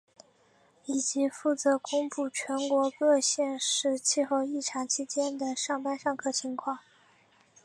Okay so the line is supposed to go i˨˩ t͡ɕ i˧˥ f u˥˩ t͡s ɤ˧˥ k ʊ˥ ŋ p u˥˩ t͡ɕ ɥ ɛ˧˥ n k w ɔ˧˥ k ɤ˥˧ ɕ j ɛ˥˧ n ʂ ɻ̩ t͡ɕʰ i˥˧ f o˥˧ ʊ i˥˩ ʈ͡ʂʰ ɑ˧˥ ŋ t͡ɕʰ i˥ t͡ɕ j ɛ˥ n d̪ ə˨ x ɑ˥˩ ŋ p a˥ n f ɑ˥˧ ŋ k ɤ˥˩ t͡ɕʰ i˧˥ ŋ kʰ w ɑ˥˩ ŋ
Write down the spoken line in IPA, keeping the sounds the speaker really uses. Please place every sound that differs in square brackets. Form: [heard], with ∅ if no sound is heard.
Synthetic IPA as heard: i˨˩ t͡ɕ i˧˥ f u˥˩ t͡s ɤ˧˥ k ʊ˥ ŋ p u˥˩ [t͡ɕʰ] ɥ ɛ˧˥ n k w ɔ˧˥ k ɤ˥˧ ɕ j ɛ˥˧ n ʂ ɻ̩ t͡ɕʰ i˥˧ [x] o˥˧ ʊ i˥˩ ʈ͡ʂʰ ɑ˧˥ ŋ t͡ɕʰ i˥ t͡ɕ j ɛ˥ n d̪ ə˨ [ʂ] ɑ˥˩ ŋ p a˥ n [ʂ] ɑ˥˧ ŋ [kʰ] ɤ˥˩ t͡ɕʰ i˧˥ ŋ kʰ w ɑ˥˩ ŋ